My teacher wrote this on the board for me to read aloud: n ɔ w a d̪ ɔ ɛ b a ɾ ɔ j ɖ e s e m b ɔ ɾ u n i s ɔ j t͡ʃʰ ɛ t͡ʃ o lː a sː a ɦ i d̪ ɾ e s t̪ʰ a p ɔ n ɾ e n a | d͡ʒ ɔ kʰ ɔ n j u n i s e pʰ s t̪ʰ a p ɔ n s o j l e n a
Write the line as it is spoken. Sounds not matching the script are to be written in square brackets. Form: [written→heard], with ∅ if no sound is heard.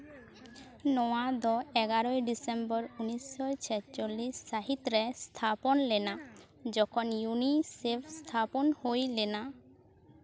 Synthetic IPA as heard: n ɔ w a d̪ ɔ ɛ [b→ɡ] a ɾ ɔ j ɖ [e→i] s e m b ɔ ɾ u n i s ɔ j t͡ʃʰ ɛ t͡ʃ o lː [a→i] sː a ɦ i [d̪→t̪] ɾ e s t̪ʰ a p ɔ n [ɾ→l] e n a | d͡ʒ ɔ kʰ ɔ n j u n i s e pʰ s t̪ʰ a p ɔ n [s→h] o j l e n a